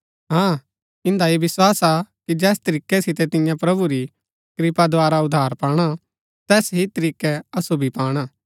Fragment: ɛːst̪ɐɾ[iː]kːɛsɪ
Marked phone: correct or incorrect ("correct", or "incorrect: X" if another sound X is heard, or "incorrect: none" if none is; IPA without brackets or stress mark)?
correct